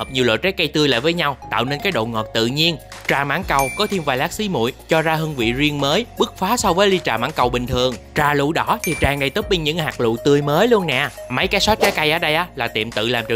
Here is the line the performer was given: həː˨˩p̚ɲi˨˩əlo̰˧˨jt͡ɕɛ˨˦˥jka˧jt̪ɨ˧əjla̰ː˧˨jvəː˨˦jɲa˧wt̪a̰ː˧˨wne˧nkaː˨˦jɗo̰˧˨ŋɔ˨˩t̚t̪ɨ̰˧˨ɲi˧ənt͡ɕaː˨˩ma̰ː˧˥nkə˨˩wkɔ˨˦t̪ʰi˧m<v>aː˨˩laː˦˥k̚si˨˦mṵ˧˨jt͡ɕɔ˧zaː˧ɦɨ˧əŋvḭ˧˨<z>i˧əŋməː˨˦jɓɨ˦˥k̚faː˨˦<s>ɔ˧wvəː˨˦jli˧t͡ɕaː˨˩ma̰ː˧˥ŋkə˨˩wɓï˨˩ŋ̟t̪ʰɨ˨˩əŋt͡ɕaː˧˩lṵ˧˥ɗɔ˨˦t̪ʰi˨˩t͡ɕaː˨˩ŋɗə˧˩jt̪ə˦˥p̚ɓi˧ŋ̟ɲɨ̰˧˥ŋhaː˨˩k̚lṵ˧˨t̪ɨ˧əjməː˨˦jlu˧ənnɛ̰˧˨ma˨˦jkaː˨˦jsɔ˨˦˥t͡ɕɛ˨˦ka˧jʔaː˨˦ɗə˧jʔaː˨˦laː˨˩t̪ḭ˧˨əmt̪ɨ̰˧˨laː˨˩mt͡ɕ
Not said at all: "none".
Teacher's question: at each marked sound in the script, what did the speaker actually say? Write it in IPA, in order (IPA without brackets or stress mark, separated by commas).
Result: v, z, s